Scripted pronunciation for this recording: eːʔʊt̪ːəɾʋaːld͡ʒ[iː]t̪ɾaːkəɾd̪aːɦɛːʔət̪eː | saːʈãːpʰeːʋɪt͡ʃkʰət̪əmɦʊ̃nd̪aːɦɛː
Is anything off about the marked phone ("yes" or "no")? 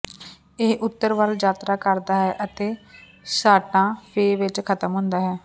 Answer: yes